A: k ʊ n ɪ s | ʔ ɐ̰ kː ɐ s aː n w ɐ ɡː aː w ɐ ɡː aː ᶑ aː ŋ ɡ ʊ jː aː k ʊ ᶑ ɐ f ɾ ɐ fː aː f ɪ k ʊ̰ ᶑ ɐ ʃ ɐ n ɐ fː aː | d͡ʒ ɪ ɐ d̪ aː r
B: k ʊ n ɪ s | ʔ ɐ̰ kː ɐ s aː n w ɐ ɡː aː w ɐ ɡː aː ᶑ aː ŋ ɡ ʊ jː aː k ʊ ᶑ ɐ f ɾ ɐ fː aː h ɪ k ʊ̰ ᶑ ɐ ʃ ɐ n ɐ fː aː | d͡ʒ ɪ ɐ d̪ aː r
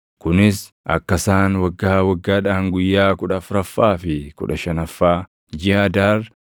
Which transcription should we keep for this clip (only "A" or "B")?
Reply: A